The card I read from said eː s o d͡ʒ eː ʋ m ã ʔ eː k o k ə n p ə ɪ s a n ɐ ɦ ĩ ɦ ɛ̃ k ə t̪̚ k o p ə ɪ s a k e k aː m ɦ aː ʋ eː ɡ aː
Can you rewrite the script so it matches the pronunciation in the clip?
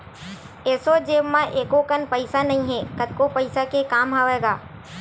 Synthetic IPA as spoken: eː s o d͡ʒ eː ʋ m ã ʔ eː k o k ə n p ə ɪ s a n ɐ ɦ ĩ ɦ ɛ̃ k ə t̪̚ k o p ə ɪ s a k e k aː m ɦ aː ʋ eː ɡ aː